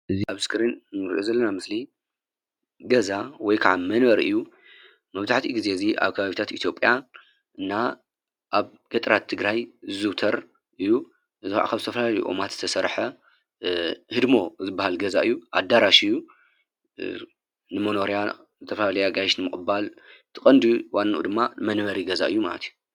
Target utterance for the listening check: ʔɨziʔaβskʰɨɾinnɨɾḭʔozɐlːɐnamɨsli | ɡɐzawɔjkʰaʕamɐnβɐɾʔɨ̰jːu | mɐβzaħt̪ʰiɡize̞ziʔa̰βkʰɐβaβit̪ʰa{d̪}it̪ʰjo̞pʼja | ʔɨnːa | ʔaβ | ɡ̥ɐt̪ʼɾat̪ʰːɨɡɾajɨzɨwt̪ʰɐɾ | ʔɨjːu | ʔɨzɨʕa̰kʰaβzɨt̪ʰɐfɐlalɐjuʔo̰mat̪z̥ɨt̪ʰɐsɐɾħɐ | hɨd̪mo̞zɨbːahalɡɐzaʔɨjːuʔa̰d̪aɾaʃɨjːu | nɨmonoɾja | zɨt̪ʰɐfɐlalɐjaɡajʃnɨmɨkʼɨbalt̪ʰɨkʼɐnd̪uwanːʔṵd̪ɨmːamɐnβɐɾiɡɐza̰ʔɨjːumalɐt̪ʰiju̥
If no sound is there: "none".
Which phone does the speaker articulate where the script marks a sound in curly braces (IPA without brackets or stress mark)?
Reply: t̪